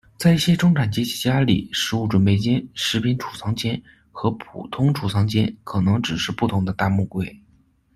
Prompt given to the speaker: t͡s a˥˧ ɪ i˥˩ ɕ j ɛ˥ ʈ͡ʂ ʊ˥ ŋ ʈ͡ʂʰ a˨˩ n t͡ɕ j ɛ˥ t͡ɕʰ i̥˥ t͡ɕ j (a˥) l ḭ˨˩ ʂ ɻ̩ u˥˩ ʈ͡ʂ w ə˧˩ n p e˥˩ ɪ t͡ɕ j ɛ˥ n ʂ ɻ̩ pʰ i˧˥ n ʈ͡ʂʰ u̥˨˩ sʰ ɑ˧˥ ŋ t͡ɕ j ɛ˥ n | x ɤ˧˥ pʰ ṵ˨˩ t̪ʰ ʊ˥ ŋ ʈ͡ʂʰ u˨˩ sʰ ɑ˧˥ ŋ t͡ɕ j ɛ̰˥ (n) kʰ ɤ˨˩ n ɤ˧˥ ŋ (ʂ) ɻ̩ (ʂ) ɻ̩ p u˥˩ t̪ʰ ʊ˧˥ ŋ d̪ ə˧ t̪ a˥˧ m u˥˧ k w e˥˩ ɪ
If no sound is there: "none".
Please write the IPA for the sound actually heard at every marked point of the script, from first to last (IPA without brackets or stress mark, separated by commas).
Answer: a˥, n, ʈ͡ʂ, ʂ